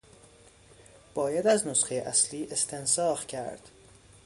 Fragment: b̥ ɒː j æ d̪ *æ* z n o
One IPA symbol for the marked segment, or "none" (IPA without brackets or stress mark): æ